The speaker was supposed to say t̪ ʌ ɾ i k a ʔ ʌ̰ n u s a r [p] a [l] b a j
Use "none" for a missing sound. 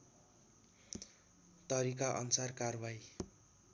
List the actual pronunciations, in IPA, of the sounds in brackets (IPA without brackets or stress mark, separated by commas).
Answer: k, r